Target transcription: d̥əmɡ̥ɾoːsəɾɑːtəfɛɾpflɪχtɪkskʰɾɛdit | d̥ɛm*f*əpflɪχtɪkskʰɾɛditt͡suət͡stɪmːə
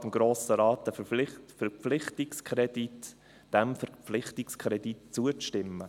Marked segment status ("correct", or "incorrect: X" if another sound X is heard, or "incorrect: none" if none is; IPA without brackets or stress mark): correct